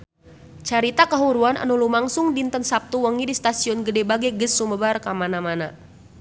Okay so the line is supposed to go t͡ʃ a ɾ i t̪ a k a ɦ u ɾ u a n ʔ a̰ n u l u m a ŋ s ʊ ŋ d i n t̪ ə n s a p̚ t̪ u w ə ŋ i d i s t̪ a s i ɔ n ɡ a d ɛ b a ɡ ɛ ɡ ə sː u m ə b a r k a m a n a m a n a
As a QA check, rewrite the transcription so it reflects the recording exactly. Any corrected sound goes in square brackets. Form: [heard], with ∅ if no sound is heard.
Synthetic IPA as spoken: t͡ʃ a ɾ i t̪ a k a ɦ u ɾ u a n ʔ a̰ n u l u m a ŋ s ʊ ŋ d i n t̪ ə n s a p̚ t̪ u w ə ŋ i d i s t̪ a s i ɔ n ɡ [ə] d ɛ b a ɡ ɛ ɡ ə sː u m ə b a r k a m a n a m a n a